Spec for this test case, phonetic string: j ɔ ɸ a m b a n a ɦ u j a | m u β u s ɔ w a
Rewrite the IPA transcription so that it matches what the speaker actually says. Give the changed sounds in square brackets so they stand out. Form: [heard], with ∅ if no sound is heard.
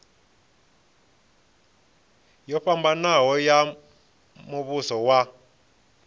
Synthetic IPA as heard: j ɔ ɸ a m b a n a ɦ [ɔ] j a | m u β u s ɔ w a